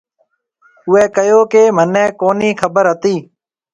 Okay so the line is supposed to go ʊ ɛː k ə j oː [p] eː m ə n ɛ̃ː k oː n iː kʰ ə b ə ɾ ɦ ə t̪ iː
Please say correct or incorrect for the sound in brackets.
incorrect: k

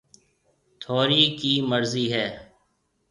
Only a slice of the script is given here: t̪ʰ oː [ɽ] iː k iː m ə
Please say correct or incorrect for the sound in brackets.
incorrect: ɾ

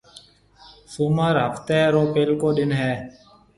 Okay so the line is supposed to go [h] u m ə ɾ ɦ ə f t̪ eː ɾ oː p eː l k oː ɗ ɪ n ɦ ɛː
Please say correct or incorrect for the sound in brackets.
incorrect: s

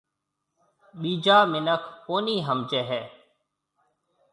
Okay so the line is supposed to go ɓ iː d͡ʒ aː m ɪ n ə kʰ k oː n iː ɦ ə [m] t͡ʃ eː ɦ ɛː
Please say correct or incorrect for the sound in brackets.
correct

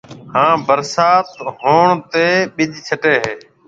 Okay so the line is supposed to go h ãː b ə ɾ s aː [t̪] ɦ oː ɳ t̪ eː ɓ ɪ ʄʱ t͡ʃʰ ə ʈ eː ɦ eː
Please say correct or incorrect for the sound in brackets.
correct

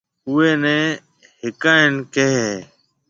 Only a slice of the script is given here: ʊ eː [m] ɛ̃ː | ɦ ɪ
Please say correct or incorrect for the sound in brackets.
incorrect: n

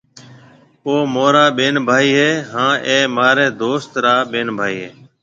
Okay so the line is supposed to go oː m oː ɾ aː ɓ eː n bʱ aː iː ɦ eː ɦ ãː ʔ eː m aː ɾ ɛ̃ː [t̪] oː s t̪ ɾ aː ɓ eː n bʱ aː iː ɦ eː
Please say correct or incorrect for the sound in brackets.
incorrect: d̪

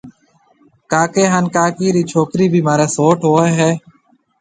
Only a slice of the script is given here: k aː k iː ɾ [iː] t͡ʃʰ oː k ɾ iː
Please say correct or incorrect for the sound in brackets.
correct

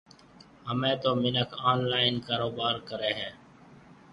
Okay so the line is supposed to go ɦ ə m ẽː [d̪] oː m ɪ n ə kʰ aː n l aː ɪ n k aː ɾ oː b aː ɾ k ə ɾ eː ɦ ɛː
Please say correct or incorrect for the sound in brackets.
incorrect: t̪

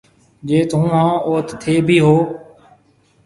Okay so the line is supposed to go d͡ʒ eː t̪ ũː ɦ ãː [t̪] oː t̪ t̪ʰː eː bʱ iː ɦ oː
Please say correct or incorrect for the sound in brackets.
incorrect: none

